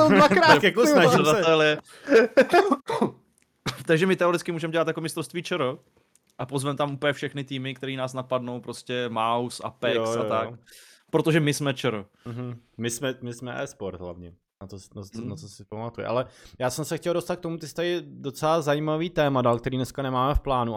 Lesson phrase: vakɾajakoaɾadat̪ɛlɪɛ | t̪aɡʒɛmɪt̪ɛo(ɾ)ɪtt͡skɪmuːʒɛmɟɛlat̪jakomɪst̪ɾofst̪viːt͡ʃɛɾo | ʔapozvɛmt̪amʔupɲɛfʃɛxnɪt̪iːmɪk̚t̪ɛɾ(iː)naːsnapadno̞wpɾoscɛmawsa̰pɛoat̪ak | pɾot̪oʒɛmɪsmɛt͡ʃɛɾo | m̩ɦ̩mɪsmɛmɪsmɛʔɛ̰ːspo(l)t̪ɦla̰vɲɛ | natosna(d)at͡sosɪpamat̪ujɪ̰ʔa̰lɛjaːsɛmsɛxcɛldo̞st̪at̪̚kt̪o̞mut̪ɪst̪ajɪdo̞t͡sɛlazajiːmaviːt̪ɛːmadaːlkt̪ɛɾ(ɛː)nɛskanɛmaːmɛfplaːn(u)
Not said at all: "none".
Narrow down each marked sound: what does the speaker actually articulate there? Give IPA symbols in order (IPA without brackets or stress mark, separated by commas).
ɾ, iː, ɾ, n, iː, u